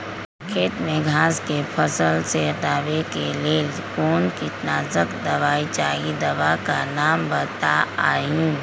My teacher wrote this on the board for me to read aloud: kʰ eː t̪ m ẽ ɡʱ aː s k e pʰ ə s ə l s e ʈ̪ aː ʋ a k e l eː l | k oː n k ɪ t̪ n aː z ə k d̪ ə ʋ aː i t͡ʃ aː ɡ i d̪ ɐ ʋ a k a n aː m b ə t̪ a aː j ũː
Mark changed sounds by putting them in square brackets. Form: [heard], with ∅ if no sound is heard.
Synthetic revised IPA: kʰ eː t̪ m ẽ ɡʱ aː s k e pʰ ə s ə l s e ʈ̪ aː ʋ [e] k e l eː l | k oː n k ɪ t̪ n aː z ə k d̪ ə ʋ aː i t͡ʃ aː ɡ i d̪ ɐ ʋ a k a n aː m b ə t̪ a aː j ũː

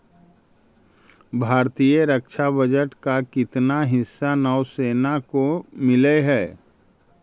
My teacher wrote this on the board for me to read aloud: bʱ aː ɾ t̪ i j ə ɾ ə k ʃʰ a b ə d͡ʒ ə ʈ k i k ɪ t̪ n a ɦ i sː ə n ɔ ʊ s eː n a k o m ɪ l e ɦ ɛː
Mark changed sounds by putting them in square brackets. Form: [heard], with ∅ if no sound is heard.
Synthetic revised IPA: bʱ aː ɾ t̪ i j ə ɾ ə k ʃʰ a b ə d͡ʒ ə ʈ k [a] k ɪ t̪ n a ɦ [ɪ] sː [a] n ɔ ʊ s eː n a k o m ɪ l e ɦ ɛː

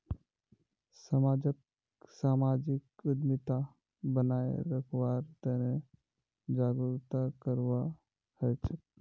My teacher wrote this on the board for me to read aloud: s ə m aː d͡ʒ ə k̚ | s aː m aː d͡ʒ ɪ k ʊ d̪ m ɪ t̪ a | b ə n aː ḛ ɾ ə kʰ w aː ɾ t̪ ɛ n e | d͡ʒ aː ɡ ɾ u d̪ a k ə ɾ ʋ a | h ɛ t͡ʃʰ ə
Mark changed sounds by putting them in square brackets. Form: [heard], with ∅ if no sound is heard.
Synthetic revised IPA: s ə m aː d͡ʒ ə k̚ | s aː m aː d͡ʒ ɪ k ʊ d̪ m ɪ t̪ a | b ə n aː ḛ ɾ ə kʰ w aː ɾ t̪ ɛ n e | d͡ʒ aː ɡ ɾ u [t̪] a k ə ɾ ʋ a | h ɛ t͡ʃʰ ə

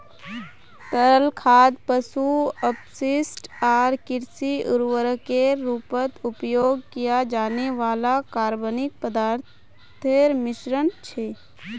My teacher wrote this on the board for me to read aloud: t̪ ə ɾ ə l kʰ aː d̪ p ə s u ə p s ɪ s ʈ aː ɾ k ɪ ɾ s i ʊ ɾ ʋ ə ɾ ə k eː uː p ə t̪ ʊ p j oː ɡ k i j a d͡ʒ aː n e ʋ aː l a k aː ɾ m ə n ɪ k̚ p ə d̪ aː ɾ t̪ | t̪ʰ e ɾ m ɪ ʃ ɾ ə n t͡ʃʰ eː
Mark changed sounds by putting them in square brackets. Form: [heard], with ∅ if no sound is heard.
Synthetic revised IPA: t̪ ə ɾ ə l kʰ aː d̪ p ə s u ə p s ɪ s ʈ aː ɾ k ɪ ɾ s i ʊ ɾ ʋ ə ɾ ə k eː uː p ə t̪ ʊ p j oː ɡ k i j a d͡ʒ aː n e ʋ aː l a k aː ɾ [b] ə n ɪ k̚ p ə d̪ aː ɾ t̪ | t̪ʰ e ɾ m ɪ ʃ ɾ ə n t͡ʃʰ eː

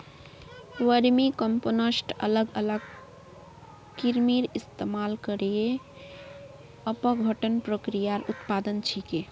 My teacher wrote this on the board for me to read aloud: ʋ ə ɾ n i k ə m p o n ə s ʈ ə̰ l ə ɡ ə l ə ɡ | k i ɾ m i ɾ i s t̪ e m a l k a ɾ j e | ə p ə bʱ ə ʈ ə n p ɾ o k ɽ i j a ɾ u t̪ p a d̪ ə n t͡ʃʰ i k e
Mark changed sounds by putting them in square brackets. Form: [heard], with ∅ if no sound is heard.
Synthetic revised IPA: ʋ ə ɾ [m] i k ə m p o n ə s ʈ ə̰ l ə ɡ ə l ə ɡ | k i ɾ m i ɾ i s t̪ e m a l k [ə] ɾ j e | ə p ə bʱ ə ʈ ə n p ɾ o k [ɾ] i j a ɾ u t̪ p a d̪ ə n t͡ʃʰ i k e

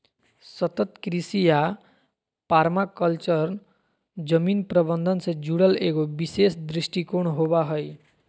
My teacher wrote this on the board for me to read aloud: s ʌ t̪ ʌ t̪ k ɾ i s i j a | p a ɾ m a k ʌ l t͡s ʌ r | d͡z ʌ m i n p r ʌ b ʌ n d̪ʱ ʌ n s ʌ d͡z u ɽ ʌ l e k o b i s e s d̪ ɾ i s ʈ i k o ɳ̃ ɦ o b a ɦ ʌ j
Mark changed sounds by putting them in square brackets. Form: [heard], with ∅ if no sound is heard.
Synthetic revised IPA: s ʌ t̪ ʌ t̪ k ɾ i s i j a | p a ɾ m a k ʌ l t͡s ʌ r | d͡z ʌ m i n p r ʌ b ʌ n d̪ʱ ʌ n s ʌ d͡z u ɽ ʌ l e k o b i s e s d̪ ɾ i s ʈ i k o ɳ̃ ɦ o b a ɦ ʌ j

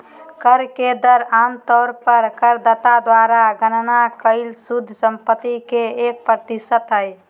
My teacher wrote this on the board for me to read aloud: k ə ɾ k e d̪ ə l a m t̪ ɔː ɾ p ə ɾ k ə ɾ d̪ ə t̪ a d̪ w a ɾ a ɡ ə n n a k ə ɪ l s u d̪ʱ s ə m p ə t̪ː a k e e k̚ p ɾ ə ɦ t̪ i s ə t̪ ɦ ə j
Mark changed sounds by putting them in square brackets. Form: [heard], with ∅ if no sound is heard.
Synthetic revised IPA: k ə ɾ k e d̪ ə [ɾ] a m t̪ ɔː ɾ p ə ɾ k ə ɾ d̪ ə t̪ a d̪ w a ɾ a ɡ ə n n a k ə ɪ l s u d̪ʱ s ə m p ə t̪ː [i] k e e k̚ p ɾ ə [∅] t̪ i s ə t̪ ɦ ə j

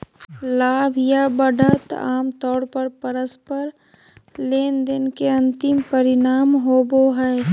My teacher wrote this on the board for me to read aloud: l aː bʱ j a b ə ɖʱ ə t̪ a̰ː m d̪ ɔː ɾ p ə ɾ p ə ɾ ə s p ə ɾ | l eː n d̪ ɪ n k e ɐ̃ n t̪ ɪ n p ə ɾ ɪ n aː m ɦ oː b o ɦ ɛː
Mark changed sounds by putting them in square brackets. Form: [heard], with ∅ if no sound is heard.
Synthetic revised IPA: l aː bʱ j a b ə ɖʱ ə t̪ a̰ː m [t̪] ɔː ɾ p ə ɾ p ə ɾ ə s p ə ɾ | l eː n d̪ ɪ n k e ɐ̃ n t̪ ɪ [m] p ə ɾ ɪ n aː m ɦ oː b o ɦ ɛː

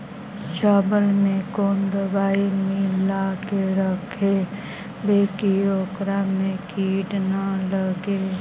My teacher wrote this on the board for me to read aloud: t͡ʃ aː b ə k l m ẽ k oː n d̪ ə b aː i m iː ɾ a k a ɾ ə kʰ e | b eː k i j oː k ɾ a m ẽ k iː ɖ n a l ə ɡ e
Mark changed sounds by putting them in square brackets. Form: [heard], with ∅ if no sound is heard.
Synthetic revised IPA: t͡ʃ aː b ə [∅] l m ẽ k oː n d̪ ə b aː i m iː [l] a k [e] ɾ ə kʰ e | b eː k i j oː k ɾ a m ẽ k iː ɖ n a l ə ɡ e

